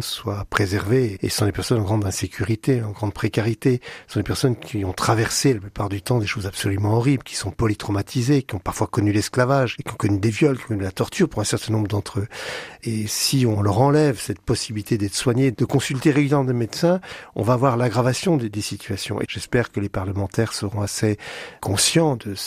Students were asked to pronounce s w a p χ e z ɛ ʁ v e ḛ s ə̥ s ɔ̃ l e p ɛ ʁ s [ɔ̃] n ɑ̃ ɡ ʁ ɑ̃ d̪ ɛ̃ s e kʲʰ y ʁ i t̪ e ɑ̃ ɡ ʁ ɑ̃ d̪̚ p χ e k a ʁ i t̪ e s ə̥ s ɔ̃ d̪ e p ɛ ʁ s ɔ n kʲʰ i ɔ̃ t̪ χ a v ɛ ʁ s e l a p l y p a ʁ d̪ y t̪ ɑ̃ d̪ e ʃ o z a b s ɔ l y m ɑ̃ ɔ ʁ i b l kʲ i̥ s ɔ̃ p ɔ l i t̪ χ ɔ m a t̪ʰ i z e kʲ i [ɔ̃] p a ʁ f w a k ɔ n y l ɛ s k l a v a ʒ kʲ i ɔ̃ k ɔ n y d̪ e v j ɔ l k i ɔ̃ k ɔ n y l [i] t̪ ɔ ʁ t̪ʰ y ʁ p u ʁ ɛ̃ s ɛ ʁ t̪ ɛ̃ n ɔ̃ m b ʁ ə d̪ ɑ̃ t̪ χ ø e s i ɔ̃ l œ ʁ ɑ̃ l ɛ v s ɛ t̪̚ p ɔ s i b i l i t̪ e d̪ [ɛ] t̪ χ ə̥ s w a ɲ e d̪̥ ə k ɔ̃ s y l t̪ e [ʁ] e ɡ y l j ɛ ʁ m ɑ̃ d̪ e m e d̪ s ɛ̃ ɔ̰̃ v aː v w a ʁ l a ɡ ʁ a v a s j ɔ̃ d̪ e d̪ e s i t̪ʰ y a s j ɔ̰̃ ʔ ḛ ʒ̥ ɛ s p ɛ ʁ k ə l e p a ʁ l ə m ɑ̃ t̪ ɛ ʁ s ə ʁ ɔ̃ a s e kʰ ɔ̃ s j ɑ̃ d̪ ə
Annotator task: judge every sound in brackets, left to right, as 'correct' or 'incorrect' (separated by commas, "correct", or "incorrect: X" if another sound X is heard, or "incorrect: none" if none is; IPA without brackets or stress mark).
incorrect: ɔ, correct, incorrect: a, correct, correct